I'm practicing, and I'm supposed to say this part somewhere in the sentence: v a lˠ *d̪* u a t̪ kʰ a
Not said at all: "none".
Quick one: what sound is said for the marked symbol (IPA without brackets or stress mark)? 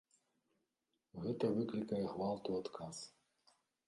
t̪